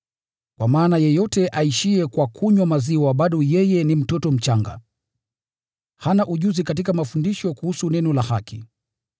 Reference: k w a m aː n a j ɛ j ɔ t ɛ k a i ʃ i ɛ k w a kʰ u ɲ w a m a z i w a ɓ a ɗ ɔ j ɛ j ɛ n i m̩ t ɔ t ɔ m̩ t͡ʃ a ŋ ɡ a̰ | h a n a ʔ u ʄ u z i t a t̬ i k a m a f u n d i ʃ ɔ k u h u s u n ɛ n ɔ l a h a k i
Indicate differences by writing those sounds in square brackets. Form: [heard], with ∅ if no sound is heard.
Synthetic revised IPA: k w a m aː n a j ɛ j ɔ t ɛ [ʔ] a i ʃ i ɛ k w a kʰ u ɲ w a m a z i w a ɓ a ɗ ɔ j ɛ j ɛ n i m̩ t ɔ t ɔ m̩ t͡ʃ a ŋ ɡ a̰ | h a n a ʔ u ʄ u z i [k] a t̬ i k a m a f u n d i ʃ ɔ k u h u s u n ɛ n ɔ l a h a k i